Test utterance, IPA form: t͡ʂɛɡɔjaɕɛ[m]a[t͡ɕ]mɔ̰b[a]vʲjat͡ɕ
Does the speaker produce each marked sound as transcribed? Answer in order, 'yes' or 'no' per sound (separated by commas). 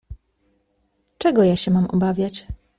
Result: yes, no, yes